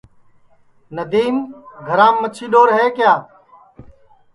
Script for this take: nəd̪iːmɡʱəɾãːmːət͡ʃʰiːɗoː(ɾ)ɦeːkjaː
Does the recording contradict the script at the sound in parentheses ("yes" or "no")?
no